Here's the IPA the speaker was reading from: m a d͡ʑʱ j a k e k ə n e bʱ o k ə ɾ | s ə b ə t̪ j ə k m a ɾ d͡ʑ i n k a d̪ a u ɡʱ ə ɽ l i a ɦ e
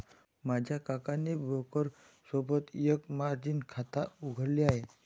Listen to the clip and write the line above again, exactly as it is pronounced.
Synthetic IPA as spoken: m a d͡ʑʱ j a k a k a n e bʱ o k ə ɾ | s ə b ə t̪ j ə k m a ɾ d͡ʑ i n kʰ a t̪ a u ɡʱ ə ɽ l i a ɦ e